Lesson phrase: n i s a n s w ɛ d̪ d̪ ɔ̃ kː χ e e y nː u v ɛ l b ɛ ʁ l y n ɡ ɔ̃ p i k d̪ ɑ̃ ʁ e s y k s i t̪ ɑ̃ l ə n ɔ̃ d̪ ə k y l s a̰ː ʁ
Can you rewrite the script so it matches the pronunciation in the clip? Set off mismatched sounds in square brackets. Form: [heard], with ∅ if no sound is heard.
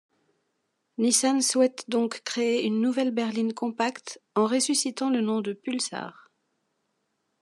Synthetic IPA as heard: n i s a n s w ɛ [t̪] d̪ ɔ̃ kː χ e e y nː u v ɛ l b ɛ ʁ l [i] n [k] ɔ̃ p [a] k [t̪] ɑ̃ ʁ e s y [∅] s i t̪ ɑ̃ l ə n ɔ̃ d̪ ə [p] y l s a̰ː ʁ

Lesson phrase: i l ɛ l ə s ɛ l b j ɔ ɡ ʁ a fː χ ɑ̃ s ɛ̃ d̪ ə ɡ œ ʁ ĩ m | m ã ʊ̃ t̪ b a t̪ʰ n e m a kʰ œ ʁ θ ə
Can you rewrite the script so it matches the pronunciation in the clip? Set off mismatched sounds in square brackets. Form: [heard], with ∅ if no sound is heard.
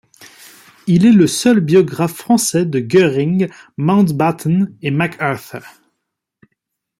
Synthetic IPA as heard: i l ɛ l ə s [œ] l b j ɔ ɡ ʁ a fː χ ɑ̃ s [ɛ] d̪ ə ɡ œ ʁ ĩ [ŋ] | m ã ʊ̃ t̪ b a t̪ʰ n e m a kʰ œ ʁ θ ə

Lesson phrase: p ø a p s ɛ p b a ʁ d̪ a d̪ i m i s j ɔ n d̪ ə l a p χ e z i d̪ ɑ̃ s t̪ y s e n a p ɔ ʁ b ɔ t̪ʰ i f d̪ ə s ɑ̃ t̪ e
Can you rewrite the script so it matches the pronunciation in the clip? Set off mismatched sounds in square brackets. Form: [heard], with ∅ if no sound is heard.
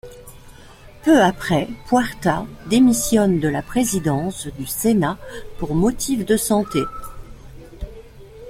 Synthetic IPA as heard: p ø a p [χ] ɛ p [w] a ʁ [t̪] a d̪ [e] m i s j ɔ n d̪ ə l a p χ e z i d̪ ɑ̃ s [d̪] y s e n a p [u] ʁ [m] ɔ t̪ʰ i f d̪ ə s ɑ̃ t̪ e

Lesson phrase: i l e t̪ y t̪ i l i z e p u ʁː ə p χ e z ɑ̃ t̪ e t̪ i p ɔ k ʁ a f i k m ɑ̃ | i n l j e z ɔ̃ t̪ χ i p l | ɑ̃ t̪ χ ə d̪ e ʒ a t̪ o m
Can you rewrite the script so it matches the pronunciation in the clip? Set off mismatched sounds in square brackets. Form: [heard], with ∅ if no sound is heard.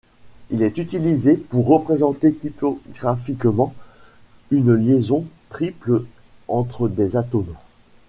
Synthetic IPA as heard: i l [ɛ] t̪ y t̪ i l i z e p u ʁː ə p χ e z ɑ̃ t̪ e t̪ i p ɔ [ɡ] ʁ a f i k m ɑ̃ | [y] n l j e z ɔ̃ t̪ χ i p l | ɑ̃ t̪ χ ə d̪ e [z] a t̪ o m

